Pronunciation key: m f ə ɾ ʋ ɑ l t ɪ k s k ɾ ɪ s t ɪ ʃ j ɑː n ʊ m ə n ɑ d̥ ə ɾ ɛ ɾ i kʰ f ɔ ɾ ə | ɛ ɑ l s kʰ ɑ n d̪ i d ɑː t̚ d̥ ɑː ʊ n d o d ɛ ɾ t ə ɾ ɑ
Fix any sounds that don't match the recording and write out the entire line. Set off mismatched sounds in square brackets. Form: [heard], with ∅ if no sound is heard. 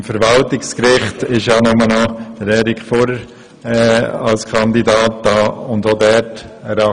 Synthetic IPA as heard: m f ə ɾ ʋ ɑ l t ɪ k s k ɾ ɪ [χ] t ɪ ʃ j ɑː n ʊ m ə n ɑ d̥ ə ɾ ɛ ɾ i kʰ f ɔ ɾ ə | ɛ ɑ l s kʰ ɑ n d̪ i d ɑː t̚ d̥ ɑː ʊ n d o d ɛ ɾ t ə ɾ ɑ

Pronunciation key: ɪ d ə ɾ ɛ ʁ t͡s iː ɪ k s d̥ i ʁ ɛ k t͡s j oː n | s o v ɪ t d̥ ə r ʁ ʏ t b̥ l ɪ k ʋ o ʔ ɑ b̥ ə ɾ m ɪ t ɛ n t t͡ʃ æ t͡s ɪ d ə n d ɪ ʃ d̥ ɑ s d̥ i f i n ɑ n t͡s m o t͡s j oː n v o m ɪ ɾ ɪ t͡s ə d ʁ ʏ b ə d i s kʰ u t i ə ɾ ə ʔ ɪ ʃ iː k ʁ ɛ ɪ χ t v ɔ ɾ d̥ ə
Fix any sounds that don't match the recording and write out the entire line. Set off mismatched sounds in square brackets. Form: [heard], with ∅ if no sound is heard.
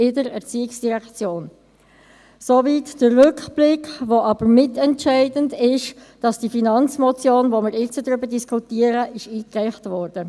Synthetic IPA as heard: ɪ d ə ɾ ɛ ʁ t͡s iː ɪ k s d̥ i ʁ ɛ k t͡s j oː n | s o v [i] t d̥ ə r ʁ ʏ [k] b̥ l ɪ k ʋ o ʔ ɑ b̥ ə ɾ m ɪ t ɛ n t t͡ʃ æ [∅] ɪ d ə n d ɪ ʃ d̥ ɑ s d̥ i f i n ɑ n t͡s m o t͡s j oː n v o m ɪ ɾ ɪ t͡s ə d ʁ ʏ b ə d i s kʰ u t i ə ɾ ə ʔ ɪ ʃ iː k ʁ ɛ ɪ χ t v ɔ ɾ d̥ ə

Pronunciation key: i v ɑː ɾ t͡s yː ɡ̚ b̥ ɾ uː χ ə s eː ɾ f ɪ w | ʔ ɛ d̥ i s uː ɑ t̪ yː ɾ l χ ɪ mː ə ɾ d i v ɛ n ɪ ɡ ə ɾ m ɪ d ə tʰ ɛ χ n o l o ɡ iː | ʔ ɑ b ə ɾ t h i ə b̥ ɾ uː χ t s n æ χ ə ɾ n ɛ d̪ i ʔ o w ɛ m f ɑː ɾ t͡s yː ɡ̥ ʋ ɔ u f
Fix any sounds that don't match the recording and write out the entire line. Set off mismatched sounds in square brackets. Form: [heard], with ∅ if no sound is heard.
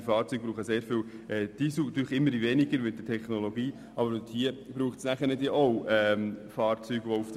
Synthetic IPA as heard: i [f] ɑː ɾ t͡s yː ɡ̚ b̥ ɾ uː χ ə s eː ɾ f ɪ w | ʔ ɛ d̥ i s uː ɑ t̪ yː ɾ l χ ɪ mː ə ɾ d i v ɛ n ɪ ɡ ə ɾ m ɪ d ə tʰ ɛ χ n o l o ɡ iː | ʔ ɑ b ə ɾ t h i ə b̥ ɾ uː χ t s n æ χ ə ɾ n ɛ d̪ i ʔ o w ɛ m f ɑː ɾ t͡s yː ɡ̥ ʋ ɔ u f

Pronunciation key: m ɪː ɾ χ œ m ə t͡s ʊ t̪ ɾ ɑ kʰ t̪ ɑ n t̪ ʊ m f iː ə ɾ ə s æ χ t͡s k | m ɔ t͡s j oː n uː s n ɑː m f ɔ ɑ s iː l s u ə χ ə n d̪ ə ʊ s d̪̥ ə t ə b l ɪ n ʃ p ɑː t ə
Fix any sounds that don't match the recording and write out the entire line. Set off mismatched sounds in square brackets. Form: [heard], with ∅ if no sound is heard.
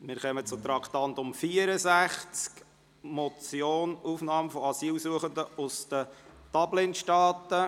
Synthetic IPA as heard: m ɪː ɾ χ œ m ə t͡s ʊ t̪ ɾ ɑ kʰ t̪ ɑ n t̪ ʊ m f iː ə ɾ ə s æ χ t͡s k | m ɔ t͡s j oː n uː [f] n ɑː m f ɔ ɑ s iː l s u ə χ ə n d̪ ə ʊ s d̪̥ ə t [ɑ] b l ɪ n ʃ [t] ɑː t ə

